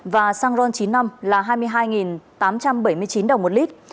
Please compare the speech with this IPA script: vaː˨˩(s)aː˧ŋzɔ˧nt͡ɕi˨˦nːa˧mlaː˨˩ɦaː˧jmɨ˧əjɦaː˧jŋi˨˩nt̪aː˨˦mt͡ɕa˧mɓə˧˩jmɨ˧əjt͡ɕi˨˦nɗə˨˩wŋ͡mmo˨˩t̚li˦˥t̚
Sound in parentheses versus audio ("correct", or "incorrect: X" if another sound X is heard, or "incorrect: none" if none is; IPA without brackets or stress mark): correct